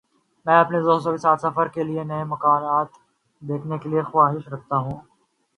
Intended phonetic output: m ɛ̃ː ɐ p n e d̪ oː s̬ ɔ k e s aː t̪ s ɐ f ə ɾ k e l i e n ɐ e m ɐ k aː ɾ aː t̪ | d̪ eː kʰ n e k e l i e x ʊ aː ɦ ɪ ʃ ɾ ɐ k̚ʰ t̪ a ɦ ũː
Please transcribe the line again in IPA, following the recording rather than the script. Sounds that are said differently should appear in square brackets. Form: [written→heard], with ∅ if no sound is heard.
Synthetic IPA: m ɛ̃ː ɐ p n e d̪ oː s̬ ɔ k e s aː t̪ s ɐ f ə ɾ k e l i e n ɐ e m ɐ k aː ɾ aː t̪ | d̪ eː kʰ n e k e l i e x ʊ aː ɦ ɪ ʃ ɾ ɐ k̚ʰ t̪ a ɦ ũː